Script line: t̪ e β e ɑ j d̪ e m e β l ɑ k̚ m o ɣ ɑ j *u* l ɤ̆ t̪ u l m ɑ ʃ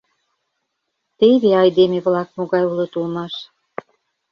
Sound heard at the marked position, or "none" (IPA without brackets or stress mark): u